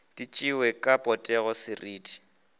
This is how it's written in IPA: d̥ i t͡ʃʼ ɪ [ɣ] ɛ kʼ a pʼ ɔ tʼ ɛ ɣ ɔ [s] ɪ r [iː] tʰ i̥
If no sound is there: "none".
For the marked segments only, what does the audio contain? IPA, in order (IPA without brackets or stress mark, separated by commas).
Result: w, s, iː